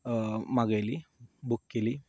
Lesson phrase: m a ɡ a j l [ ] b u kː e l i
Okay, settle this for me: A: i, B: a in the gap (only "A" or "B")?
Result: A